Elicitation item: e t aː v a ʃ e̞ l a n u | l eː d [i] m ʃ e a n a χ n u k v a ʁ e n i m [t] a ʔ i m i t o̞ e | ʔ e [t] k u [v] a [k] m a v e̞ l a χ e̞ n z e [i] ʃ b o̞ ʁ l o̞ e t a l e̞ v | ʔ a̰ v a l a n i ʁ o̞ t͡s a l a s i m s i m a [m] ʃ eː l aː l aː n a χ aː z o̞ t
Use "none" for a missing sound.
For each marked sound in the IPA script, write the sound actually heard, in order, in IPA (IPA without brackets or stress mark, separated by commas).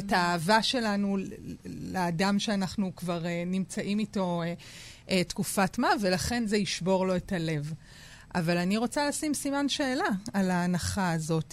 a, t͡s, t, f, t, i, n